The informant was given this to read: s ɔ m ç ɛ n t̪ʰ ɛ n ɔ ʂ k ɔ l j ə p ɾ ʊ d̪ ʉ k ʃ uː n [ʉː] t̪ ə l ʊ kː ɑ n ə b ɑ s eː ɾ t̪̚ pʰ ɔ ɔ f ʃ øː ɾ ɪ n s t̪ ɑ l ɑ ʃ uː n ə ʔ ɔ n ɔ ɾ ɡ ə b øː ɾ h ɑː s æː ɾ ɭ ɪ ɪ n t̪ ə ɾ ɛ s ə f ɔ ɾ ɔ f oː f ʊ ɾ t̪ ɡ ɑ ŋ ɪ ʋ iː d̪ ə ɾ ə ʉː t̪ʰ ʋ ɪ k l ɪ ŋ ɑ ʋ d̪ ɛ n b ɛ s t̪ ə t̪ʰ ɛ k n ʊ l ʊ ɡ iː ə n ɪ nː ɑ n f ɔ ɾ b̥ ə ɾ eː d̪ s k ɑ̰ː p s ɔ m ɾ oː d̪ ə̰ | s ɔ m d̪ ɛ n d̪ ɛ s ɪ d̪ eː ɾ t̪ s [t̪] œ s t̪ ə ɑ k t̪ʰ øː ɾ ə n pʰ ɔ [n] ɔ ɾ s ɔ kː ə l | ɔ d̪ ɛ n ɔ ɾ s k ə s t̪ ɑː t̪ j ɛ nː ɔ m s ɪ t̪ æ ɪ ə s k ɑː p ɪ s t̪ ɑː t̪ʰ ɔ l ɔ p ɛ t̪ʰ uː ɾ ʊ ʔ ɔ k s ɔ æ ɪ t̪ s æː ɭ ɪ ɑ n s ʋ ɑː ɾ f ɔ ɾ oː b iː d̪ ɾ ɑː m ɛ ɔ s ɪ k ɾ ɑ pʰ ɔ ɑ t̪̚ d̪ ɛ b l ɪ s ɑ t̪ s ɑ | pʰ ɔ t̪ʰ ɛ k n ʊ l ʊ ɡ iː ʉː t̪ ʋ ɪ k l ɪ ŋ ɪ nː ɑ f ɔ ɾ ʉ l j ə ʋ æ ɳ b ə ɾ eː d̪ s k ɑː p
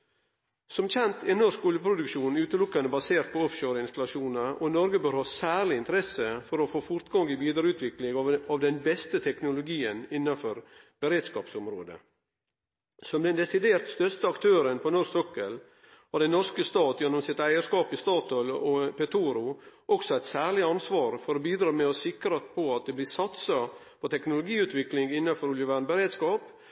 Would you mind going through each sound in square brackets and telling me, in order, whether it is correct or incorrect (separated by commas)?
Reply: correct, correct, correct